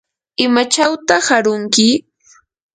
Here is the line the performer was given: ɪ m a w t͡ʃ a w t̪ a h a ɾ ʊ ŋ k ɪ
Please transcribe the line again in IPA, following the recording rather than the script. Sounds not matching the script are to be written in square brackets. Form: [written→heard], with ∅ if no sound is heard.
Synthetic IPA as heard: ɪ m a [w→∅] t͡ʃ a w t̪ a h a ɾ ʊ ŋ k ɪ